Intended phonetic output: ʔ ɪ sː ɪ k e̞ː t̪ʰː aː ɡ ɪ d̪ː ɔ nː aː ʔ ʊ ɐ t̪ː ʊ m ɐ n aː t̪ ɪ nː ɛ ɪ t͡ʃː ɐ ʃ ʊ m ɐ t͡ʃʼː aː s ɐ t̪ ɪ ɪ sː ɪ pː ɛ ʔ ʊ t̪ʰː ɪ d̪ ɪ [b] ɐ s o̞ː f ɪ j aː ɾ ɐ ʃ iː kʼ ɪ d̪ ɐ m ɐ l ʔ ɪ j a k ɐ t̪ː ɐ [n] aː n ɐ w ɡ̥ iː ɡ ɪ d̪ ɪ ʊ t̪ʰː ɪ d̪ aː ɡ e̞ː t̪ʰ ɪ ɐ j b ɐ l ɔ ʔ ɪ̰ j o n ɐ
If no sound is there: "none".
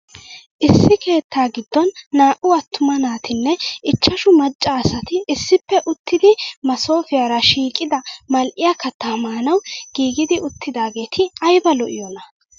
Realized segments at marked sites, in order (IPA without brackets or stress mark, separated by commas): m, m